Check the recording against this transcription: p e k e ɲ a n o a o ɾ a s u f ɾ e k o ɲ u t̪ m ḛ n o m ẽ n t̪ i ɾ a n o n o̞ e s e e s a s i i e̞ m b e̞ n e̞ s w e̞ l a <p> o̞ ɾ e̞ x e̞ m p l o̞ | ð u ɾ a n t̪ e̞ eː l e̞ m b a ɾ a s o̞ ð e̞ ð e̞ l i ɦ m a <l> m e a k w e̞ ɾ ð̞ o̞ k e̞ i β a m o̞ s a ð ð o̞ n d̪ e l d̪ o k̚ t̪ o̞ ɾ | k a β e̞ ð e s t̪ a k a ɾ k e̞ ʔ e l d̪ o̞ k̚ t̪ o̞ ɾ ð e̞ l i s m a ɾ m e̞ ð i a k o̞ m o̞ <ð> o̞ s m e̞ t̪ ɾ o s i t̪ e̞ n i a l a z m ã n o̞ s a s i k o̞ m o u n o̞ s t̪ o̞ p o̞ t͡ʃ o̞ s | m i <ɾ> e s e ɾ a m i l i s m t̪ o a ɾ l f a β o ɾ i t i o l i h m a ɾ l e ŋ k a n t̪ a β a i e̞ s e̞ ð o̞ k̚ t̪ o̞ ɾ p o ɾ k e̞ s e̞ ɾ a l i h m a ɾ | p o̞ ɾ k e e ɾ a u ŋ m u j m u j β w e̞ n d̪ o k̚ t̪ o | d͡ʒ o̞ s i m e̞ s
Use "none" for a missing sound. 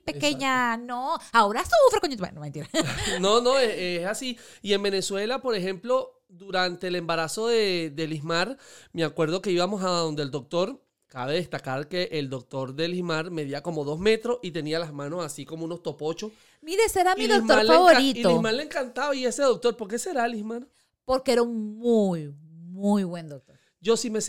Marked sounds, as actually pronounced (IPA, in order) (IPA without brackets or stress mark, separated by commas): p, ɾ, ð, ɾ